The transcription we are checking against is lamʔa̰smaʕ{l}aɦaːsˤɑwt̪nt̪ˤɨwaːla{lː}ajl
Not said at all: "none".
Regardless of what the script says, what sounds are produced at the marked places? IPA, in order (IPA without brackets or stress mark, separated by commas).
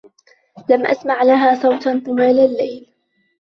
l, lː